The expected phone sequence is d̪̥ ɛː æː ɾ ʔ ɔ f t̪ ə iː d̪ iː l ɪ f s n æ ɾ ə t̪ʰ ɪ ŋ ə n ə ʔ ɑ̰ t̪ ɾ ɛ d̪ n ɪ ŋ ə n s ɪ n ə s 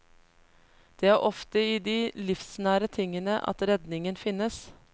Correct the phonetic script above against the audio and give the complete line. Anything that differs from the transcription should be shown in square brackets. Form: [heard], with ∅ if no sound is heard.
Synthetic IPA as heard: d̪̥ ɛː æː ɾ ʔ ɔ f t̪ ə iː d̪ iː l ɪ f s n [æː] ɾ ə t̪ʰ ɪ ŋ ə n ə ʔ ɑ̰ t̪ ɾ ɛ d̪ n ɪ ŋ ə n [f] ɪ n ə s